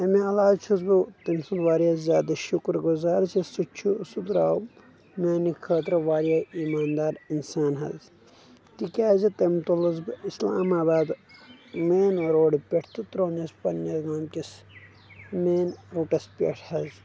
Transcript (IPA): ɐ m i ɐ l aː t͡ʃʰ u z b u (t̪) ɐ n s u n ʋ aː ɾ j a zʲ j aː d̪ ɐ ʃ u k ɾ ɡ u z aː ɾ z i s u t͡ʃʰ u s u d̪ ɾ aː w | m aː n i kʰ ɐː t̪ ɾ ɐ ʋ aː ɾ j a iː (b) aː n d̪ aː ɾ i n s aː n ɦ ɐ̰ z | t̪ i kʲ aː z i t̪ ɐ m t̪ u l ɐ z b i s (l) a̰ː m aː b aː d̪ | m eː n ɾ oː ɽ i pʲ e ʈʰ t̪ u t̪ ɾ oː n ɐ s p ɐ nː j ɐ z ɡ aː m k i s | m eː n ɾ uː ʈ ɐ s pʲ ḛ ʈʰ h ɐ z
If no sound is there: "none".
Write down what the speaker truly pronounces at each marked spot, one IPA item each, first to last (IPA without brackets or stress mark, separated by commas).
t̪, m, l